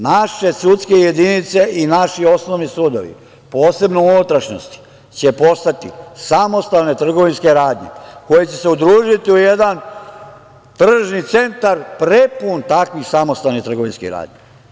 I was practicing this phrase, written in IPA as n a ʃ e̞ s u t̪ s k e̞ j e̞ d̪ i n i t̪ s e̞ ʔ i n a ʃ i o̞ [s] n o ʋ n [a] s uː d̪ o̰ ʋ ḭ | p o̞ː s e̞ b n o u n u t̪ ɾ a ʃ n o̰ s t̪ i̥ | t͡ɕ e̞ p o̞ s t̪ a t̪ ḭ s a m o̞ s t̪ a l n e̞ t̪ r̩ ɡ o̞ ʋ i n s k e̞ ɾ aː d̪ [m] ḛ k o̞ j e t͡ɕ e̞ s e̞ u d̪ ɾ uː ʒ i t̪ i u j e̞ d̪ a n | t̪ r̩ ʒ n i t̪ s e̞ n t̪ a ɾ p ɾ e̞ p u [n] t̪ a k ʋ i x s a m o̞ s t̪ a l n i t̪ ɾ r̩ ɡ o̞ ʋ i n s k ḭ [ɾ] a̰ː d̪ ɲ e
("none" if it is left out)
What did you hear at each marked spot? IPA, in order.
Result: s, i, ɲ, n, ɾ

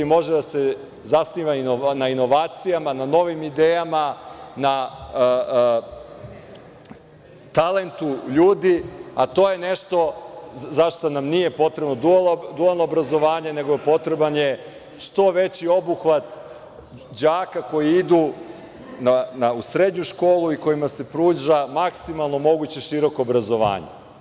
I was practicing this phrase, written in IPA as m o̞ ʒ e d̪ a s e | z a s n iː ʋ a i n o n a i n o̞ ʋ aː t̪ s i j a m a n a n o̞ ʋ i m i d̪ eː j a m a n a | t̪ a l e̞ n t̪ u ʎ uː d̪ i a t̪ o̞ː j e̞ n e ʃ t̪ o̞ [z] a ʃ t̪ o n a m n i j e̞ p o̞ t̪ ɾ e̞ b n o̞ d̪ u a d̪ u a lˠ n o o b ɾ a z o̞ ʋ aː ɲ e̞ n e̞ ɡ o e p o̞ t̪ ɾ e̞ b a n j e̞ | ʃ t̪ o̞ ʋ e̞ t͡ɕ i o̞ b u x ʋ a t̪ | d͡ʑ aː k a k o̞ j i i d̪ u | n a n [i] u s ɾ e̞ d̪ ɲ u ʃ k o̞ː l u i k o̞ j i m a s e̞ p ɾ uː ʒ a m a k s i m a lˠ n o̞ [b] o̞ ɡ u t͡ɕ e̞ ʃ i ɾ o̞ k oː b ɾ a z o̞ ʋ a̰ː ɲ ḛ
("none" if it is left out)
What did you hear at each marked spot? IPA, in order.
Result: z, a, m

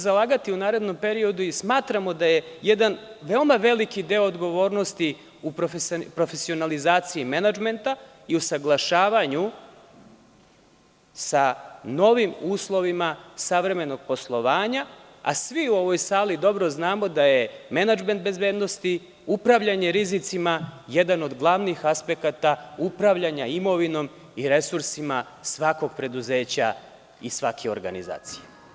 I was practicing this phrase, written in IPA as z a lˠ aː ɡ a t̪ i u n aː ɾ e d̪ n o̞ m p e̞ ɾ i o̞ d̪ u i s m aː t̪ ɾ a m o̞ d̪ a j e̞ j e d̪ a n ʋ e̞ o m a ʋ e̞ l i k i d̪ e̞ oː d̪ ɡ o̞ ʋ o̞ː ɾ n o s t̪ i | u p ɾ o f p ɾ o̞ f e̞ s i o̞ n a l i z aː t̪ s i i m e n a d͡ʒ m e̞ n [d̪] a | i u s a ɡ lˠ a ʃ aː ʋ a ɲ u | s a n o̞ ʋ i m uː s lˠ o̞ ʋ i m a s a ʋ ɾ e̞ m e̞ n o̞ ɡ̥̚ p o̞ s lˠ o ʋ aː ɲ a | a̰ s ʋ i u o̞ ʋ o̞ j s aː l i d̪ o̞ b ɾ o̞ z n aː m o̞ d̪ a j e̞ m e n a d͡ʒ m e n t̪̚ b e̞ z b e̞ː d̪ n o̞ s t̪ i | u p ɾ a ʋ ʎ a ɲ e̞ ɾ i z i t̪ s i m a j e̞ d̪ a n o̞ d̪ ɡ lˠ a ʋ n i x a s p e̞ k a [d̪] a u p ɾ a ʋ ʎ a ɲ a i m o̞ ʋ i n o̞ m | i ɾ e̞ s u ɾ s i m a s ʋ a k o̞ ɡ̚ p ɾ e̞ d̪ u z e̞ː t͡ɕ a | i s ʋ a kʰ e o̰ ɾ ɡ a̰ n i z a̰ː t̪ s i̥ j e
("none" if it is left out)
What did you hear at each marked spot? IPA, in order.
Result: t̪, t̪

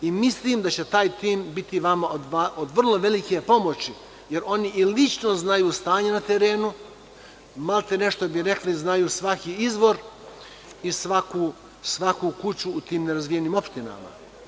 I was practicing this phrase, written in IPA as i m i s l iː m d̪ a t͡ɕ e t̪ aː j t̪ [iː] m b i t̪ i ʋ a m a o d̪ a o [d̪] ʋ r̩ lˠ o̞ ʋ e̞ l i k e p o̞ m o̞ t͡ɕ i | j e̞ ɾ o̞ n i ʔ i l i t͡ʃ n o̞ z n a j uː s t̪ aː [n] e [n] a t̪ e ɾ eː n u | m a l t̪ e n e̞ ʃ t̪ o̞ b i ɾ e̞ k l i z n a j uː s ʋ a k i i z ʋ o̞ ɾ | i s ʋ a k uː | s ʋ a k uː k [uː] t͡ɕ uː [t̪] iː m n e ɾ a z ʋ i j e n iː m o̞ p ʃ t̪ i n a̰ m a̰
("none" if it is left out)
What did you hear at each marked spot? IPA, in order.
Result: iː, d̪, ɲ, n, u, t̪

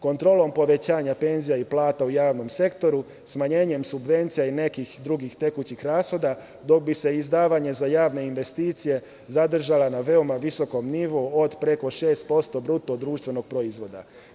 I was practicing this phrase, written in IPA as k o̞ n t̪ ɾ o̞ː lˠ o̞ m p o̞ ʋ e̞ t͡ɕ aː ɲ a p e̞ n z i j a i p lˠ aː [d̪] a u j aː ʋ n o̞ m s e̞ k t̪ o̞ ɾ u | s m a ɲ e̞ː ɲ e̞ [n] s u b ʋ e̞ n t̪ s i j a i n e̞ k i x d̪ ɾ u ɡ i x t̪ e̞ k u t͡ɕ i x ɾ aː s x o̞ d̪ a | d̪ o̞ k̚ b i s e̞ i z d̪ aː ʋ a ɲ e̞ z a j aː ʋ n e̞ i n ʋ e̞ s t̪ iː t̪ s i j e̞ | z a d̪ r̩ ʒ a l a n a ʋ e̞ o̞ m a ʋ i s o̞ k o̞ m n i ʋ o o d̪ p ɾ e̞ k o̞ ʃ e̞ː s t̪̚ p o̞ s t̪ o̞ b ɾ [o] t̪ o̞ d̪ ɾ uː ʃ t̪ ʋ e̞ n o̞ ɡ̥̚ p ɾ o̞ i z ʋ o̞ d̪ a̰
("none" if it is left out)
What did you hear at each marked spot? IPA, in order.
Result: t̪, m, u

